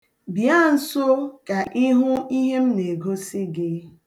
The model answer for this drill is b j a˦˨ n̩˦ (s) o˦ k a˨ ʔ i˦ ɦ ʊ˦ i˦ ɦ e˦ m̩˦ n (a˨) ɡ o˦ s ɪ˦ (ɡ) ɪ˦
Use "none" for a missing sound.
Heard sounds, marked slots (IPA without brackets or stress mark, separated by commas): s, e˨, ɡ